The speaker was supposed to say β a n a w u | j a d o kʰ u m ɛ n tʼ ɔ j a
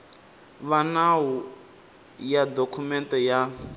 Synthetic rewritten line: β a n a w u | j a d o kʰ u m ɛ n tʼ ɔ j a

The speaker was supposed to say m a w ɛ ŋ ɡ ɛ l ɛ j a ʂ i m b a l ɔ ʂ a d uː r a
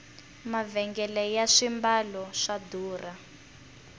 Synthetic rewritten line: m a v ɛ ŋ ɡ ɛ l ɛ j a ʂ i m b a l ɔ ʂ a d uː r a

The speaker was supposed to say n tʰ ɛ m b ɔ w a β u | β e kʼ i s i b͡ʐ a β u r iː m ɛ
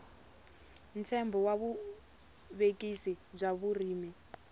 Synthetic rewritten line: n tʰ ɛ m b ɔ w a β u | β e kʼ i s i b͡ʐ a β u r iː m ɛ

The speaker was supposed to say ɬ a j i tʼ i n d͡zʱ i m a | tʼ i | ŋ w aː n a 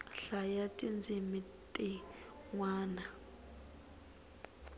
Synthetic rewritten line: ɬ a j a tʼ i n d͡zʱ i m i | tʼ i | ŋ w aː n a

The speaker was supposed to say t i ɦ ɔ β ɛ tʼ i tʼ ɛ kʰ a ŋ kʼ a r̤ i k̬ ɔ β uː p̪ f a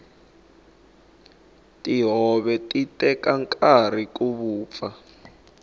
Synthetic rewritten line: t i ɦ ɔ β ɛ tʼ i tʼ ɛ k a ŋ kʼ a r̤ i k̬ u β uː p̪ f a

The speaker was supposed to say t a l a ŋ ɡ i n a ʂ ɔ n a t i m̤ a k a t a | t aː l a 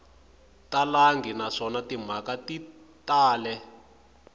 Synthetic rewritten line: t a l a ŋ ɡ i n a ʂ ɔ n a t i m̤ a k a t i | t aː l ɛ

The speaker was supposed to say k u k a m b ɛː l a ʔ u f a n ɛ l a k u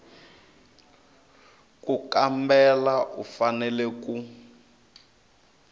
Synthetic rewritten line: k u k a m b ɛ l a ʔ u f a n ɛ l ɛ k u

